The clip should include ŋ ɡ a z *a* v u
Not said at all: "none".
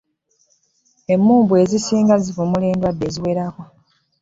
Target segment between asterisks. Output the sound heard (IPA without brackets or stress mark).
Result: i